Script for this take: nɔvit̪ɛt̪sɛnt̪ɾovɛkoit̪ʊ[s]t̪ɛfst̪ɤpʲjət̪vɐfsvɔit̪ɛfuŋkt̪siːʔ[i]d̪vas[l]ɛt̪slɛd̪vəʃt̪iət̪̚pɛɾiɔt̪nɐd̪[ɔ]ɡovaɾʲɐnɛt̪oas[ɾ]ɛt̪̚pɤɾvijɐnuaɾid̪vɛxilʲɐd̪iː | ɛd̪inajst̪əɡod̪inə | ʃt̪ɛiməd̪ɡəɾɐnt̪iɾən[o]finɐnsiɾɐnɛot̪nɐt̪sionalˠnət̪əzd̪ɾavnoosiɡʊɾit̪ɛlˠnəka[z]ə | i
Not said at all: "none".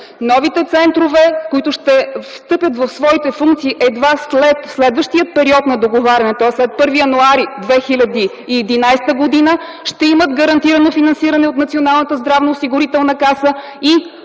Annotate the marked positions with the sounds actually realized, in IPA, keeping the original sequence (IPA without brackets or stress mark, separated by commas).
ʃ, ɛ, l, o, l, o, s